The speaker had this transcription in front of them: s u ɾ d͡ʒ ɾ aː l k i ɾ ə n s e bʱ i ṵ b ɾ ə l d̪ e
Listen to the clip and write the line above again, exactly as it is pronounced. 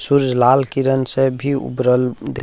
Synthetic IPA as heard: s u ɾ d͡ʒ l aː l k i ɾ ə n s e bʱ i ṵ b ɾ ə l d̪ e